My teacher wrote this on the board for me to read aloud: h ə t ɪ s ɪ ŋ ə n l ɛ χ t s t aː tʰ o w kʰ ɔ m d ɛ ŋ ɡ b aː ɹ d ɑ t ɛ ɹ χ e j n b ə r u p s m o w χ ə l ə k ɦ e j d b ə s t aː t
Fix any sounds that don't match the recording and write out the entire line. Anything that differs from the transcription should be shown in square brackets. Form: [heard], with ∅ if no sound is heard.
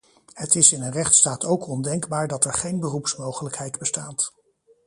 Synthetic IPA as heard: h ə t ɪ s ɪ [n] ə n [r] ɛ χ t s t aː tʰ o w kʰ ɔ [n] d ɛ ŋ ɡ b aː ɹ d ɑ t ɛ ɹ χ e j n b ə r u p s m o w χ ə l ə k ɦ [ɛ] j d b ə s t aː t